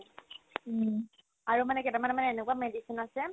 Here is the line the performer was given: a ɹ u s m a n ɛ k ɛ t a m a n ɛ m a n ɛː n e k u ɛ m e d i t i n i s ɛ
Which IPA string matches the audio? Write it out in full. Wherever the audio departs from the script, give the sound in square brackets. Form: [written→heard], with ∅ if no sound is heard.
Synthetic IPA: a ɹ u [s→∅] m a n ɛ k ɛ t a m a n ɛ m a n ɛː n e k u [ɛ→a] m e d i [t→s] i n [i→a] s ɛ